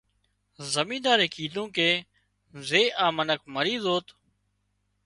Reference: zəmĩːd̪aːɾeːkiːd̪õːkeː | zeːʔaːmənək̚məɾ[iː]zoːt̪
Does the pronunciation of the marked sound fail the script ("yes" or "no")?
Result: no